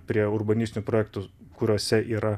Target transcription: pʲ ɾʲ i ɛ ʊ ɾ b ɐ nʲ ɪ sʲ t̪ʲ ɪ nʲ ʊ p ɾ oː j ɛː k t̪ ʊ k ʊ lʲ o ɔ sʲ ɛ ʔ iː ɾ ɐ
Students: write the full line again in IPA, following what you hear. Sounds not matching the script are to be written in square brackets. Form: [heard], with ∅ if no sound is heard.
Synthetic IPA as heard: pʲ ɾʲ i ɛ ʊ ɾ b ɐ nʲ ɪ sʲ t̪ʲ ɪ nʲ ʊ p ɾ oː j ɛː k t̪ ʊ k ʊ [ɾʲ] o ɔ sʲ ɛ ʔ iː ɾ ɐ